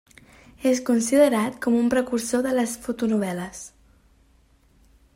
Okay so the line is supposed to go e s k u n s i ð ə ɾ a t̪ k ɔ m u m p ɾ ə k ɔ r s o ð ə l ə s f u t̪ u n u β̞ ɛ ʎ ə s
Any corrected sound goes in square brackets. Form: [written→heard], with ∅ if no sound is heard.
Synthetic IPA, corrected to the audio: e s k u n s i ð ə ɾ a t̪ k ɔ m u m p ɾ ə k [ɔ→u] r s o ð ə l ə s f u t̪ u n u β̞ ɛ [ʎ→l] ə s